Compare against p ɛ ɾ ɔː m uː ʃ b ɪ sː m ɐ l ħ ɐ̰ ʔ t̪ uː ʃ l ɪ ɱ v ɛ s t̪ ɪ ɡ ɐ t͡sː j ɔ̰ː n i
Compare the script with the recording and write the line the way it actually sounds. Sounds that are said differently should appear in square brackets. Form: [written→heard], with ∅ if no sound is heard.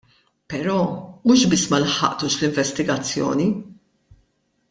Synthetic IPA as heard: p ɛ ɾ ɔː m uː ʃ b ɪ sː m ɐ l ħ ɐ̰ ʔ t̪ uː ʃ l ɪ ɱ v ɛ s t̪ ɪ ɡ ɐ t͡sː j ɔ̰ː n i